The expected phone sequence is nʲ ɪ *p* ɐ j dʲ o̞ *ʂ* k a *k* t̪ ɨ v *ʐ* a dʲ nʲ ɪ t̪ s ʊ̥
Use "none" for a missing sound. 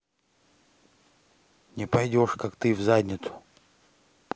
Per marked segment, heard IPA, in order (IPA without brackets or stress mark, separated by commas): p, ʂ, k, z